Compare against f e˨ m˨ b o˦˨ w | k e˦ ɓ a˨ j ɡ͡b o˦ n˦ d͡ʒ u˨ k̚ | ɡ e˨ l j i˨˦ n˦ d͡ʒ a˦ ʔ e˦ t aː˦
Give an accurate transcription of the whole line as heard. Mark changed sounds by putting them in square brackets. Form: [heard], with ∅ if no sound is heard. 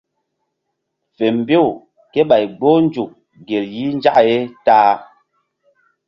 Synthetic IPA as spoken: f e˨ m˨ b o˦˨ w | k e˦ ɓ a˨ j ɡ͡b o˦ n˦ d͡ʒ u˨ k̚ | ɡ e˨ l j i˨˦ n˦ d͡ʒ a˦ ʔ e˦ t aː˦